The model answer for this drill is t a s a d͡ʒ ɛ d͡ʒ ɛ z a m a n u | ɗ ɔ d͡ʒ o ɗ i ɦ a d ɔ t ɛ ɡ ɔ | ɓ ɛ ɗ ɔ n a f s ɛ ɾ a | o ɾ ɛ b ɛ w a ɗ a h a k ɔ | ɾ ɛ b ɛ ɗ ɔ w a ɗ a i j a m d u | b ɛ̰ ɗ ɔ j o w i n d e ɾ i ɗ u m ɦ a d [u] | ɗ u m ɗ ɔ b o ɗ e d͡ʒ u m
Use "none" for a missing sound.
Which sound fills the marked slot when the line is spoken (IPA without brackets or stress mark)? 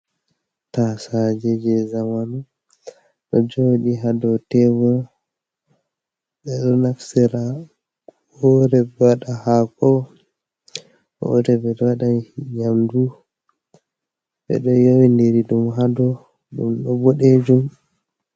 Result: ɔ